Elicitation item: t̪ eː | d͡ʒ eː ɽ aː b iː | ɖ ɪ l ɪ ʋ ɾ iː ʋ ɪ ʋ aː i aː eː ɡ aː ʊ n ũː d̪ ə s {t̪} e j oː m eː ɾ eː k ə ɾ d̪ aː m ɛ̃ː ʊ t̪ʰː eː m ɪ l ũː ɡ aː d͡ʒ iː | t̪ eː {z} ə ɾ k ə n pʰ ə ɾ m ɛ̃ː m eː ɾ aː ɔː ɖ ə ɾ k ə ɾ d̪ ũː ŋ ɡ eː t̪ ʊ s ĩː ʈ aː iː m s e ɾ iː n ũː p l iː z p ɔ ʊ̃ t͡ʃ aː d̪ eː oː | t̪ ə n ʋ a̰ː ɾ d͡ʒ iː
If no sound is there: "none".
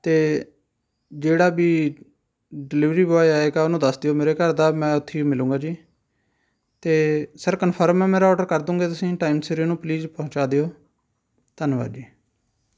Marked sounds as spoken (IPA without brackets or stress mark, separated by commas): d̪, s